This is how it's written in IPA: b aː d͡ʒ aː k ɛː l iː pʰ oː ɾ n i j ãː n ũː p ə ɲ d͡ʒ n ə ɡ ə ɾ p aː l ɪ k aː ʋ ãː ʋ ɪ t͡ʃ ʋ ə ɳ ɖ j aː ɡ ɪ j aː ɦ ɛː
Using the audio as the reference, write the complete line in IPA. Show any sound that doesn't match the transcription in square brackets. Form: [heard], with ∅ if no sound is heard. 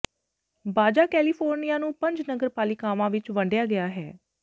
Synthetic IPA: b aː d͡ʒ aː k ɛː l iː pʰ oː ɾ n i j [aː] n ũː p ə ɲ d͡ʒ n ə ɡ ə ɾ p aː l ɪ k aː ʋ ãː ʋ ɪ t͡ʃ ʋ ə ɳ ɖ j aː ɡ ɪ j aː ɦ ɛː

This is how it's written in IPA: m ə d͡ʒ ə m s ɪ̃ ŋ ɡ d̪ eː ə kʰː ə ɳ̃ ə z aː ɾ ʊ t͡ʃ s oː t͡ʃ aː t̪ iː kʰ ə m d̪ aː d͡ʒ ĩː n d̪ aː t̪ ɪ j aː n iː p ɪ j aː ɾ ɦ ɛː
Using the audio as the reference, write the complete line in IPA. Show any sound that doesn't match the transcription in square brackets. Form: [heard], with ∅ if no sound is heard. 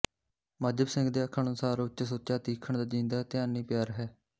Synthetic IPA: m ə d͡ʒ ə [b] s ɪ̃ ŋ ɡ d̪ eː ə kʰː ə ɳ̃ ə [s] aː ɾ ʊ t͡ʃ s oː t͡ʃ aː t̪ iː kʰ ə [ɳ] d̪ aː d͡ʒ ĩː n d̪ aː t̪ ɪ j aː n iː p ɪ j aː ɾ ɦ ɛː

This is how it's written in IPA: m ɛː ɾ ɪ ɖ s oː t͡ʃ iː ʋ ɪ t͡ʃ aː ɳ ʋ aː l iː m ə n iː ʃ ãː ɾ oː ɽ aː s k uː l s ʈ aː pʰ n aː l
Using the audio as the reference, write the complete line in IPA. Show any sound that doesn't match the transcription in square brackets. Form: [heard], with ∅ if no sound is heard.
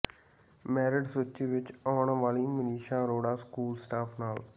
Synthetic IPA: m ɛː ɾ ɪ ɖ s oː t͡ʃ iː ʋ ɪ t͡ʃ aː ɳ ʋ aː l iː m ə n iː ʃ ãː ɾ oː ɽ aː s k uː l s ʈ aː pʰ n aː l

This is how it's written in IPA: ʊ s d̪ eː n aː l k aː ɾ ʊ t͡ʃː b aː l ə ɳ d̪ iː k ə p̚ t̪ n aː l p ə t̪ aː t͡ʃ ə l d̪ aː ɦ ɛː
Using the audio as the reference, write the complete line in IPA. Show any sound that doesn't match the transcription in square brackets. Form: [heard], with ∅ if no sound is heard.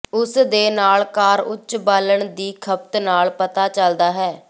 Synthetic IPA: ʊ s d̪ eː n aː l k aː ɾ ʊ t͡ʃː b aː l ə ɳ d̪ iː [kʰ] ə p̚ t̪ n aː l p ə t̪ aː t͡ʃ ə l d̪ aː ɦ ɛː

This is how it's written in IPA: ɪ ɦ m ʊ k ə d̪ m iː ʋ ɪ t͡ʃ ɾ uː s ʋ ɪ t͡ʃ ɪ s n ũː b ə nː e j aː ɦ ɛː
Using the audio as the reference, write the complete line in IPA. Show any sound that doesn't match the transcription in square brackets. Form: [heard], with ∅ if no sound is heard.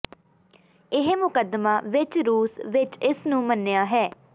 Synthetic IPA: ɪ ɦ m ʊ k ə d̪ m [aː] ʋ ɪ t͡ʃ ɾ uː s ʋ ɪ t͡ʃ ɪ s n ũː [m] ə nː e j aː ɦ ɛː

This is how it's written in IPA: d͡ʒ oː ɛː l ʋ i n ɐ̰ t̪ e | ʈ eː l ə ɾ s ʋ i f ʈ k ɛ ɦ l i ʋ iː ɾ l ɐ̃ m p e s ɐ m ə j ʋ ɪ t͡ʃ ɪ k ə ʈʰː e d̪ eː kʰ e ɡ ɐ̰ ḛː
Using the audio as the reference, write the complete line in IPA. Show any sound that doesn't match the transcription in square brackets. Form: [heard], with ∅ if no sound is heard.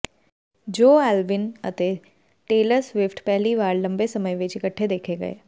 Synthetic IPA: d͡ʒ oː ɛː l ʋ [ɪ] n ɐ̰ t̪ e | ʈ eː l ə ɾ s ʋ [ɪ] f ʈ [p] ɛ ɦ l i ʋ [aː] ɾ l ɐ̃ m [b] e s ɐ m ə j ʋ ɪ t͡ʃ ɪ k ə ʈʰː e d̪ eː kʰ e ɡ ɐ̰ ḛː

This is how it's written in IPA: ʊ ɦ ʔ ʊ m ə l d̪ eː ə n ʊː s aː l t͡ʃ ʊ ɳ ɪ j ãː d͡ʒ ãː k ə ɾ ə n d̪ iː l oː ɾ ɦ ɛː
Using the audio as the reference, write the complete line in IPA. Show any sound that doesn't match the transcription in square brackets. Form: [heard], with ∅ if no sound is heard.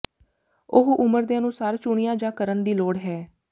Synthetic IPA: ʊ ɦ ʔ ʊ m ə [ɾ] d̪ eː ə n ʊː s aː [ɾ] t͡ʃ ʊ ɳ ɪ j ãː d͡ʒ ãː k ə ɾ ə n d̪ iː l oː [ɽ] ɦ ɛː

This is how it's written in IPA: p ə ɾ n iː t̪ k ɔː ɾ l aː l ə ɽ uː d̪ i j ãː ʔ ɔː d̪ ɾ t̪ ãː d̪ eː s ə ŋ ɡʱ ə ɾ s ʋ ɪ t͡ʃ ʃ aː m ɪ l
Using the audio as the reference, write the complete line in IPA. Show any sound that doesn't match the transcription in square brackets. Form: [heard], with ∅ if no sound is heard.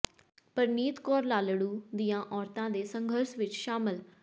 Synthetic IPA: p ə ɾ n iː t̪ k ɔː ɾ l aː l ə ɽ uː d̪ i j ãː ʔ ɔː [∅] ɾ t̪ ãː d̪ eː s ə ŋ ɡʱ ə ɾ s ʋ ɪ t͡ʃ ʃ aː m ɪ l

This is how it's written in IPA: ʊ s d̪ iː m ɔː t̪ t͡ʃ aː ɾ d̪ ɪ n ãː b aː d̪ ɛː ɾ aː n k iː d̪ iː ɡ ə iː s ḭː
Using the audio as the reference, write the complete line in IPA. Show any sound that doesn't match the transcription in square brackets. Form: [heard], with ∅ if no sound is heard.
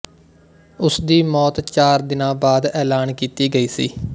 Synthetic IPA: ʊ s d̪ iː m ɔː t̪ t͡ʃ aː ɾ d̪ ɪ n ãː b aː d̪ ɛː [l] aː n k iː [t̪] iː ɡ ə iː s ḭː

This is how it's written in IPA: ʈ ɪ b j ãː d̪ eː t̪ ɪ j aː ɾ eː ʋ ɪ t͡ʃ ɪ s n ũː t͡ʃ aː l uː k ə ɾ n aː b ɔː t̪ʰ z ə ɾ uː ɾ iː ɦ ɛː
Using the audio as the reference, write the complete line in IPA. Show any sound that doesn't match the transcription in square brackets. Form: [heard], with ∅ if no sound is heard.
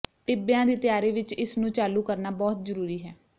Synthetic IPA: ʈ ɪ b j ãː d̪ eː t̪ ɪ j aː ɾ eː ʋ ɪ t͡ʃ ɪ s n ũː t͡ʃ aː l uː k ə ɾ n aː b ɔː [t̪] z ə ɾ uː ɾ iː ɦ ɛː

